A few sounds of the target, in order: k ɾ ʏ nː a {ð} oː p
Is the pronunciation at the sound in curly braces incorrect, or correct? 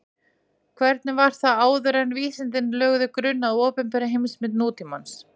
correct